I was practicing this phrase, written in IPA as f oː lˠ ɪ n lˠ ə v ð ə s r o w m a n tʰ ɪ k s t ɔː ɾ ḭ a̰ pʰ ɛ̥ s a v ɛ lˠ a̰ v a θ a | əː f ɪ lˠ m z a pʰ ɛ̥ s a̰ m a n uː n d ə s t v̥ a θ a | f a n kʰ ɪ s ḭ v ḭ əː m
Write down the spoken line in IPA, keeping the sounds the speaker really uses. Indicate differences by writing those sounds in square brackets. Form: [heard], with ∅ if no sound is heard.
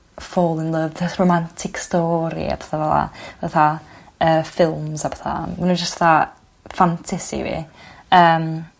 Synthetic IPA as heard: f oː lˠ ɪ n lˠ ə v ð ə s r o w m a n tʰ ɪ k s t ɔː ɾ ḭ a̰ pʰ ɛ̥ [θ] a v ɛ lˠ a̰ v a θ a | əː f ɪ lˠ m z a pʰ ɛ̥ [θ] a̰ m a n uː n [d͡ʒ] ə s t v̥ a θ a | f a n [tʰ] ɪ s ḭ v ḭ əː m